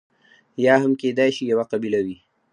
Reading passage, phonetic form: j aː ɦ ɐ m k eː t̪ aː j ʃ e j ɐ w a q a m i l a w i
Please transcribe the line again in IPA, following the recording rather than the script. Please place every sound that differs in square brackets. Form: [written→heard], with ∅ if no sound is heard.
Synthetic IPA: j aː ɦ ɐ m k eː [t̪→d̪] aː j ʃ [e→i] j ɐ w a q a [m→b] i l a w i